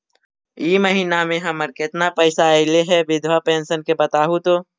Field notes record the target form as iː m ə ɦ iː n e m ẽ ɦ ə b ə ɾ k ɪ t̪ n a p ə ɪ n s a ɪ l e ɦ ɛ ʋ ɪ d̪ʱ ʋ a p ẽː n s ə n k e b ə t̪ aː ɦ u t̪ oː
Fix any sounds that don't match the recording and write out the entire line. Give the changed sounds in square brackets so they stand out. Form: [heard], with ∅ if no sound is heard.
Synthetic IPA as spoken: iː m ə ɦ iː n [a] m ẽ ɦ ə [m] ə ɾ k ɪ t̪ n a p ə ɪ [∅] s a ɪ l e ɦ ɛ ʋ ɪ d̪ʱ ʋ a p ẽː n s ə n k e b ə t̪ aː ɦ u t̪ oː